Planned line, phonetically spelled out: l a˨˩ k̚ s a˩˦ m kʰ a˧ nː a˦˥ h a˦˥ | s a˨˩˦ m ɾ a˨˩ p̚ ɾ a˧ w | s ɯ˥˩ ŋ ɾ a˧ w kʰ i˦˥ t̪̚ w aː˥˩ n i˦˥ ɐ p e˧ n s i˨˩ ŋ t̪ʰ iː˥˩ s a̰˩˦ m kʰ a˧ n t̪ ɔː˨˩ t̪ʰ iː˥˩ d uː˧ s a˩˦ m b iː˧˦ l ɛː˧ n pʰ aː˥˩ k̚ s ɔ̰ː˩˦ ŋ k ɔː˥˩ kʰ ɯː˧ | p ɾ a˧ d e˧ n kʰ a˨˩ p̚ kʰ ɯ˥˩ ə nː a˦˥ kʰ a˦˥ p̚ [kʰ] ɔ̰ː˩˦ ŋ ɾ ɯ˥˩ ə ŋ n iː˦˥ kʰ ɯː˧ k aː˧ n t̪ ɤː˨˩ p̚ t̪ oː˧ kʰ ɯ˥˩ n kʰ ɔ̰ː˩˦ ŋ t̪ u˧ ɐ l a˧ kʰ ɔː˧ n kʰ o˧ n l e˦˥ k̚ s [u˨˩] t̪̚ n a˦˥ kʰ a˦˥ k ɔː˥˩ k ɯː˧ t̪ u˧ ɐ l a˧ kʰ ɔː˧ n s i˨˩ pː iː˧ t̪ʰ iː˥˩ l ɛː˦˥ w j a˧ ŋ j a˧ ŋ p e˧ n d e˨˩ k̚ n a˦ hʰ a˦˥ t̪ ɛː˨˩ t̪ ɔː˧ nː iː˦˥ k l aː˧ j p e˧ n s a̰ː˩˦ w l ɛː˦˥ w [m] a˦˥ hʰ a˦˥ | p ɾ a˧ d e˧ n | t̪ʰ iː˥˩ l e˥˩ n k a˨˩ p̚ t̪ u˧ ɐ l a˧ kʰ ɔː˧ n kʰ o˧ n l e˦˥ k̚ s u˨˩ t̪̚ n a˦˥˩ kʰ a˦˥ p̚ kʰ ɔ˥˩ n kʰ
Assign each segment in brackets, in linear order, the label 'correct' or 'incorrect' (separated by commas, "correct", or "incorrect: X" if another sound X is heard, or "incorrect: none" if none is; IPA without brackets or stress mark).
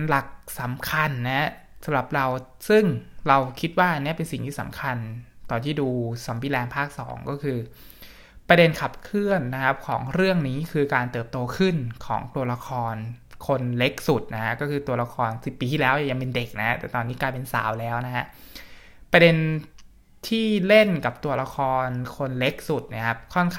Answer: correct, correct, incorrect: n